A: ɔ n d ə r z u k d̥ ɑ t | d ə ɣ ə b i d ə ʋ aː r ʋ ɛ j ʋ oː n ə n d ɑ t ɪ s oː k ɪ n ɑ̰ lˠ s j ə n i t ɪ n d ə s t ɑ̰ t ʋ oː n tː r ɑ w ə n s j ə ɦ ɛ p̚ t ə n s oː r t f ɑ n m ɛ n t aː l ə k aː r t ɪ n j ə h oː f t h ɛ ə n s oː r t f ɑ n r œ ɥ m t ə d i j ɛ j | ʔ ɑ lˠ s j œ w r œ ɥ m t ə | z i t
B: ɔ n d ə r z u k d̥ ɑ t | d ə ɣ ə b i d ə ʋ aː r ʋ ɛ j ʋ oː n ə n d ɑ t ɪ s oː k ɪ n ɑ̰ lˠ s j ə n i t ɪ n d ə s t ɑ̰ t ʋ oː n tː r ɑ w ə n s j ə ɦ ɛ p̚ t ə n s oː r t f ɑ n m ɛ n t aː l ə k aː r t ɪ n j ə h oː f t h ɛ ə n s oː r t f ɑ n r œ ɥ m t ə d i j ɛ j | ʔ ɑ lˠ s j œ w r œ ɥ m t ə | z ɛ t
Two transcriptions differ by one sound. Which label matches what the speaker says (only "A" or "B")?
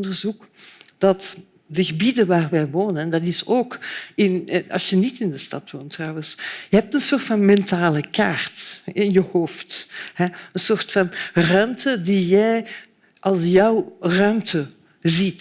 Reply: A